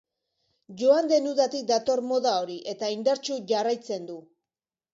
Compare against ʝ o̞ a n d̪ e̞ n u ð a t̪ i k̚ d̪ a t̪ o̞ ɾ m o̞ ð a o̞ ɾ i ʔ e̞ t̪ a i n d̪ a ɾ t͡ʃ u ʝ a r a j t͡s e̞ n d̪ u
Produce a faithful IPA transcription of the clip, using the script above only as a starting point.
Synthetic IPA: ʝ o̞ a n d̪ e̞ n u ð a t̪ i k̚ d̪ a t̪ o̞ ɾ m o̞ ð a o̞ ɾ i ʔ e̞ t̪ a i n d̪ a ɾ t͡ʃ u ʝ a r a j t͡s e̞ n d̪ u